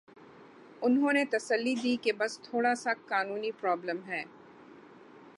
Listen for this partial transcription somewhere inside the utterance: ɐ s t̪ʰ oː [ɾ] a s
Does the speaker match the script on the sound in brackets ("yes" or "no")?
no